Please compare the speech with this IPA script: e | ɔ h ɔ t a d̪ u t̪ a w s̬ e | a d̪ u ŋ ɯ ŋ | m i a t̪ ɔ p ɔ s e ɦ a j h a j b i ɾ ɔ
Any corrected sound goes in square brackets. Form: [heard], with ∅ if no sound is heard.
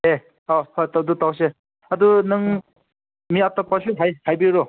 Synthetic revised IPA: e | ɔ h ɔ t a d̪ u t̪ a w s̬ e | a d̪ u [n] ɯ ŋ | m i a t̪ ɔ p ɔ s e ɦ a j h a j b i ɾ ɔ